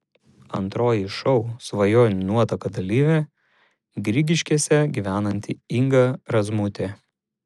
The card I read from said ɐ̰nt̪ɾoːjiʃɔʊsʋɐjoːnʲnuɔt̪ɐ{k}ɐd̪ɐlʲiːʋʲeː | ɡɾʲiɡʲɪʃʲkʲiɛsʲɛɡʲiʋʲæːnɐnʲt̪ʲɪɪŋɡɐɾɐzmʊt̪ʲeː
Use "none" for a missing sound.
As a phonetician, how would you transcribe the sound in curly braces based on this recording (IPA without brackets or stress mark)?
k